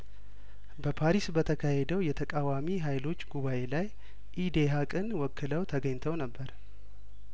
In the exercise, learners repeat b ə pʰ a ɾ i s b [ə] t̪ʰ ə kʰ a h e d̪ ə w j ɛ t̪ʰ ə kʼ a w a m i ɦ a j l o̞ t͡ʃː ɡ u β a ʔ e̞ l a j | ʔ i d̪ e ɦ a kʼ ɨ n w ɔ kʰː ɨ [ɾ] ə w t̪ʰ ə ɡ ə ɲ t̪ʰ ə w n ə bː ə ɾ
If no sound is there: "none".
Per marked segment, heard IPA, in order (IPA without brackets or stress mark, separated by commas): ə, l